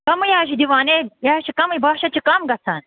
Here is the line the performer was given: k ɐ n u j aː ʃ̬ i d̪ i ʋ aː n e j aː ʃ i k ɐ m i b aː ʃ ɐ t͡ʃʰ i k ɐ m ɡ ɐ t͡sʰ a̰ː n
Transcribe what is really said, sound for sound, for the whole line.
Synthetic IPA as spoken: k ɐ m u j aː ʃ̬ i d̪ i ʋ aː n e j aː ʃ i k ɐ m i b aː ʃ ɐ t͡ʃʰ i k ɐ m ɡ ɐ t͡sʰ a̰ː n